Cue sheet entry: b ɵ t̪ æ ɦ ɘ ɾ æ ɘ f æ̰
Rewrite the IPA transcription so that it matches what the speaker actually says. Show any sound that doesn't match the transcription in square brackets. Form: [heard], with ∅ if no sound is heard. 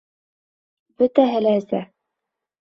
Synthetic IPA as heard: b ɵ t̪ æ ɦ ɘ [l] æ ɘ [s] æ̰